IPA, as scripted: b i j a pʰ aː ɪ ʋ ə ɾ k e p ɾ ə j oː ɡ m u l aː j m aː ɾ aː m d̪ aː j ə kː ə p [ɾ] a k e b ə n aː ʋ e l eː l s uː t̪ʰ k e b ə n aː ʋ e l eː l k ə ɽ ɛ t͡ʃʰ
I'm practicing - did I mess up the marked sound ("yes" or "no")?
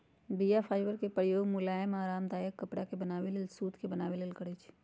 yes